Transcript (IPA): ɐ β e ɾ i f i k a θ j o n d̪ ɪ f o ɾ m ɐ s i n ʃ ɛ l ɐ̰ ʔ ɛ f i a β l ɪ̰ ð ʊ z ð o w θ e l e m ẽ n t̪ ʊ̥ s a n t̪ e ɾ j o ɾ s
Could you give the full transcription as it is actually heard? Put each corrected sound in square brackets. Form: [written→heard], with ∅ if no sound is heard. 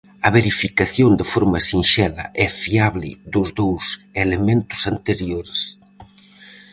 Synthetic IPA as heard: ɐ β e ɾ i f i k a θ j o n d̪ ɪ f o ɾ m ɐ s i n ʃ ɛ l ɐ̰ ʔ ɛ f i a β l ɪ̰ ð ʊ z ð o w [θ→s] e l e m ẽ n t̪ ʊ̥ s a n t̪ e ɾ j o ɾ s